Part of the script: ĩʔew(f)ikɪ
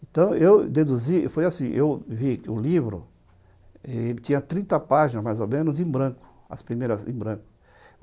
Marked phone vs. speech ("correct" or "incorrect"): incorrect